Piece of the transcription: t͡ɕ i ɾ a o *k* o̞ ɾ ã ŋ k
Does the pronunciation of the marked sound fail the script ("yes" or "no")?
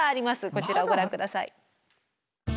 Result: yes